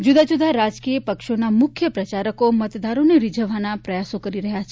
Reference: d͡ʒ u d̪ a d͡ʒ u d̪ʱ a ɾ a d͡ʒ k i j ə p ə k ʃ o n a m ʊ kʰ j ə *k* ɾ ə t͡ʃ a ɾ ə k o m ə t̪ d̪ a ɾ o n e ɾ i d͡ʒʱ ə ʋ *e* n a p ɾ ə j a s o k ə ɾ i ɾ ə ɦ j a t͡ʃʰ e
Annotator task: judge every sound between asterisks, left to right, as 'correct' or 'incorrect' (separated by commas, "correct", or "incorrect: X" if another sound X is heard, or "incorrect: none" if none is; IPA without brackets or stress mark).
incorrect: p, incorrect: a